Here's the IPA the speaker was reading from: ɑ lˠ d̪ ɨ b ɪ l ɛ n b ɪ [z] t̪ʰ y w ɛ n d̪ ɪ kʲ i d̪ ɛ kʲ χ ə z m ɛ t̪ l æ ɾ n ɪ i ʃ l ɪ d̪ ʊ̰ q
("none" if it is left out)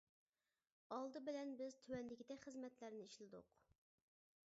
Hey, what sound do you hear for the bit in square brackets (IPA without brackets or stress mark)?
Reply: z